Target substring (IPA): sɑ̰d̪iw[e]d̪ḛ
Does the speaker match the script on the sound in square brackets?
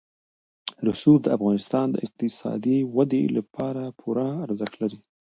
no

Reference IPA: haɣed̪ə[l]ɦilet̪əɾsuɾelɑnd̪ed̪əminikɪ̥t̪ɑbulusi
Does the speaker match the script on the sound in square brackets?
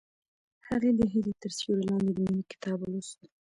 no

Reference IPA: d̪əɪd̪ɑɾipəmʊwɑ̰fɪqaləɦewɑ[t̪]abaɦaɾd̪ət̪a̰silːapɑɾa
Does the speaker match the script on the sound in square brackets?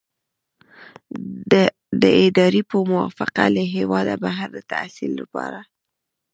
no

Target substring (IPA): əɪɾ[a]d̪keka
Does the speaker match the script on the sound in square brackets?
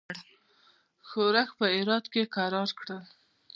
no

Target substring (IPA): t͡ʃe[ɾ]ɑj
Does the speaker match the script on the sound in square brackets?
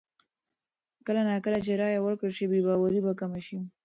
yes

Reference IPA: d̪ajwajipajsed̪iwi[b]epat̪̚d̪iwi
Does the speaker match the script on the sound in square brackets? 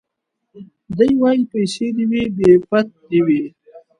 yes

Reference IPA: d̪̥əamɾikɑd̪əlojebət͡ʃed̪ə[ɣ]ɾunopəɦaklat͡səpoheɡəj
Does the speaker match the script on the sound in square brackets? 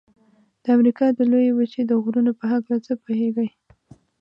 yes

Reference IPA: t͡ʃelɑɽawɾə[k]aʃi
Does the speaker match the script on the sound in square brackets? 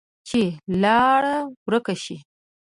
yes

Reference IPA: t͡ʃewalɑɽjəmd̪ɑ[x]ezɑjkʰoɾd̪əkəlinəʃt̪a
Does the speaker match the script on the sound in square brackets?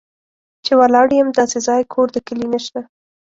no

